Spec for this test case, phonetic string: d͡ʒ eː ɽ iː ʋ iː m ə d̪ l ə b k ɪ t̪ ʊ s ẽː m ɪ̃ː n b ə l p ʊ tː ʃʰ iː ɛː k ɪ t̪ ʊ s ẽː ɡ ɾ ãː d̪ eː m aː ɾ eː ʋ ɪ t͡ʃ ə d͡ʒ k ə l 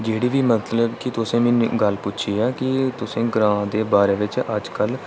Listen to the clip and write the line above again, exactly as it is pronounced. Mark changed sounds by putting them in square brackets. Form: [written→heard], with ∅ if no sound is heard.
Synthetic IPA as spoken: d͡ʒ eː ɽ iː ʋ iː m ə [d̪→t̪] l ə b k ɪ t̪ ʊ s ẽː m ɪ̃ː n [b→ɡ] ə l p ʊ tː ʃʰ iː ɛː k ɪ t̪ ʊ s ẽː ɡ ɾ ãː d̪ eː [m→b] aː ɾ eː ʋ ɪ t͡ʃ ə d͡ʒ k ə l